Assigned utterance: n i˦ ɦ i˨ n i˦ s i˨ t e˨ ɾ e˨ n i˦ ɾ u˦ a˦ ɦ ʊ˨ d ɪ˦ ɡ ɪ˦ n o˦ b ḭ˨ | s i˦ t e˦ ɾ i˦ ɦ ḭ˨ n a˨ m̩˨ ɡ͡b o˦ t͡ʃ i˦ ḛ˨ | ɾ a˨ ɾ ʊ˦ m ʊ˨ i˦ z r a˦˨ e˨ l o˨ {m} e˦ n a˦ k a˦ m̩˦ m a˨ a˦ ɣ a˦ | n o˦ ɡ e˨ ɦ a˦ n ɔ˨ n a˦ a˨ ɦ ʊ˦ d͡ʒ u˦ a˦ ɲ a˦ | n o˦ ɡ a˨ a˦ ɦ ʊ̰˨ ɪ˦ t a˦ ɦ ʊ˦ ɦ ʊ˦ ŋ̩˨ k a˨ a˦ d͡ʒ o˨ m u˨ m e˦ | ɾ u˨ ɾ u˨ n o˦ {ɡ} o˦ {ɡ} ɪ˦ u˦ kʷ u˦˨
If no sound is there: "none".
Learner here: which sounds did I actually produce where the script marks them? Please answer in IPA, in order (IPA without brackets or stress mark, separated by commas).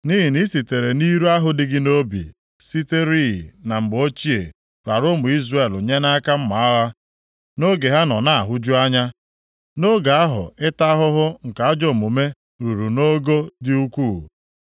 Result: ɲ, ɡ, d